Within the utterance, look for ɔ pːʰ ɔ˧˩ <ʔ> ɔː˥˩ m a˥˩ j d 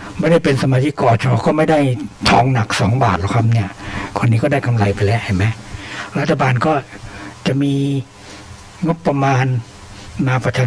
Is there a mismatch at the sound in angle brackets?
yes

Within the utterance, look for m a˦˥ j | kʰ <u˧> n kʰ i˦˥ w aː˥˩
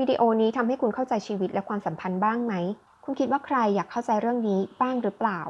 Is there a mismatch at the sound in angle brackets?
no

